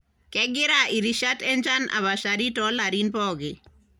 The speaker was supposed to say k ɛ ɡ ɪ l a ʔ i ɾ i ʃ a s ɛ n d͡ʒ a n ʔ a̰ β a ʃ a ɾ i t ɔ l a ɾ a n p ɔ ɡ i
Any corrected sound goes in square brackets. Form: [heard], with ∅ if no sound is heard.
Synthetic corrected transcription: k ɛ ɡ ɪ [ɾ] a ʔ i ɾ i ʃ a [t] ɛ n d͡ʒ a n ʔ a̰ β a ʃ a ɾ i t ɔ l a ɾ [i] n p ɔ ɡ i